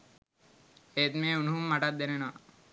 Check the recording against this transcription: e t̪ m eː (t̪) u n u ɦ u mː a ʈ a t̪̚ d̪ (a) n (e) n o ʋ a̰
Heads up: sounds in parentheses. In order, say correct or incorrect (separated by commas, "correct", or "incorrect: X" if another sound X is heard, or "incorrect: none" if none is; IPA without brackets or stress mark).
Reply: incorrect: none, incorrect: e, correct